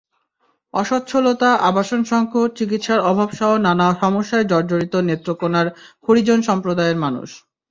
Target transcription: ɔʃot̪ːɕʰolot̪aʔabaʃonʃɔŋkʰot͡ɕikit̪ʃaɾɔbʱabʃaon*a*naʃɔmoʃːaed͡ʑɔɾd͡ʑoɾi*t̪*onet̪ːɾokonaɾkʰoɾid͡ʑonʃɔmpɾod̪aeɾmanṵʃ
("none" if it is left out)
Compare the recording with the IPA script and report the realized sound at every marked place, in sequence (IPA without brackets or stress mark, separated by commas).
a, t̪